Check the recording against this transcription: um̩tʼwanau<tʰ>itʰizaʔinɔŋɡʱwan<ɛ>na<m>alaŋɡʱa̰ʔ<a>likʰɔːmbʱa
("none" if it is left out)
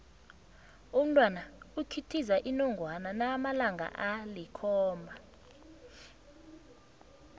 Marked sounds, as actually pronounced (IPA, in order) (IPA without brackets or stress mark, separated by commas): kʰ, a, m, a